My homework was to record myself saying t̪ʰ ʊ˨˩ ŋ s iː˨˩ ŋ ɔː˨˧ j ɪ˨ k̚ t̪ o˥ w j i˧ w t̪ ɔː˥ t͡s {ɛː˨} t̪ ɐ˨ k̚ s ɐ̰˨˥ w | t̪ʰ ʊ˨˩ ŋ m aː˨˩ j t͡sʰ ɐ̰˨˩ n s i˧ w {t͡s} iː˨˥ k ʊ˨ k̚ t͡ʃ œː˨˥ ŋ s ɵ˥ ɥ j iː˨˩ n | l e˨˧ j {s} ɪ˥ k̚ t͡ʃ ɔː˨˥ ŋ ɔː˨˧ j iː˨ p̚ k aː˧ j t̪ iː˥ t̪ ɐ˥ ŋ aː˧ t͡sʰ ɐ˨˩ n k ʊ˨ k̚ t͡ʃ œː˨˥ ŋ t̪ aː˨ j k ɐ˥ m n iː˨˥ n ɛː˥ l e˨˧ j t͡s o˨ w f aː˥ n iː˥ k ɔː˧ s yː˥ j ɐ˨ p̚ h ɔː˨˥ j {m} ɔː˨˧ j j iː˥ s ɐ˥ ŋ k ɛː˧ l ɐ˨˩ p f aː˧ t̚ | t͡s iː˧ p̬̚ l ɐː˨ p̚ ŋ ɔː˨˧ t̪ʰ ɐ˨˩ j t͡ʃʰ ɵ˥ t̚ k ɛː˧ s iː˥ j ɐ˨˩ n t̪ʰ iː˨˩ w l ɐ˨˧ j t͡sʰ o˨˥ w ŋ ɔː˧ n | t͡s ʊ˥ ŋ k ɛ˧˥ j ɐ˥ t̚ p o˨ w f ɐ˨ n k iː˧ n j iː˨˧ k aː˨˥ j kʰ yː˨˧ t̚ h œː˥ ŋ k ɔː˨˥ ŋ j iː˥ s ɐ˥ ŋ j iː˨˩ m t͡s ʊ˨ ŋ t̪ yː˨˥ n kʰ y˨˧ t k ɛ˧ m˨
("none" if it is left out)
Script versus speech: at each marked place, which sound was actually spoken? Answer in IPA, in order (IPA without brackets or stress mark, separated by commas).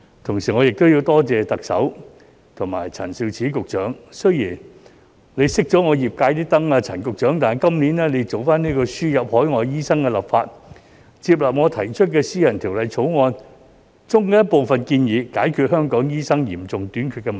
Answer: ɛː˨, t͡sʰ, s, ŋ